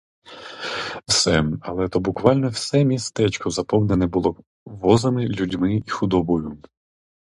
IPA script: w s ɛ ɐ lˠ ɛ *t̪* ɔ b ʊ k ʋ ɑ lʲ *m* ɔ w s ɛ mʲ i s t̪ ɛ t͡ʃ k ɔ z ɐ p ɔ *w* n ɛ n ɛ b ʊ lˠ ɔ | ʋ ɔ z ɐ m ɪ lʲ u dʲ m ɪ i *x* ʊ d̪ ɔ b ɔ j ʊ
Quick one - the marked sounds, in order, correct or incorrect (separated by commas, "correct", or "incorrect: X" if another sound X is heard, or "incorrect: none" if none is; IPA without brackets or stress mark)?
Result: correct, incorrect: n, correct, correct